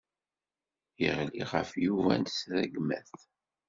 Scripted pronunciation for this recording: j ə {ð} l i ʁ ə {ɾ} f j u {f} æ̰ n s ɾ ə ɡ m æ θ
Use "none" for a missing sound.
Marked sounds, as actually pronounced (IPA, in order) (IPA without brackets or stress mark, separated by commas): ʁ, none, v